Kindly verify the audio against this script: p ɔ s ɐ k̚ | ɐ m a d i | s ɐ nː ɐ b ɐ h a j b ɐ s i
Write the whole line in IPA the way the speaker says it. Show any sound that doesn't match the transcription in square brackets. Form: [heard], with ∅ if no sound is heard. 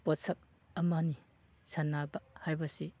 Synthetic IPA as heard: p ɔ s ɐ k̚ | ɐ m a [n] i | s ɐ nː [a] b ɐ h a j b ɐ s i